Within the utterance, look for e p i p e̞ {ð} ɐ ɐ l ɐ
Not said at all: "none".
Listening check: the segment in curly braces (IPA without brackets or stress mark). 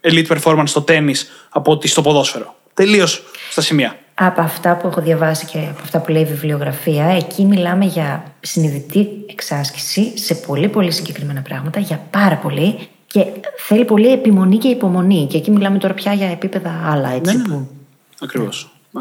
ð